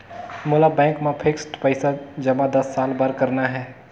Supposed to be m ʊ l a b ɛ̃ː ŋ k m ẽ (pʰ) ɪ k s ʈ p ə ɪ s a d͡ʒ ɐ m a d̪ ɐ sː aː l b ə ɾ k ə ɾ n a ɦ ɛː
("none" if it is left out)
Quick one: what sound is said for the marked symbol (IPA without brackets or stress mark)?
pʰ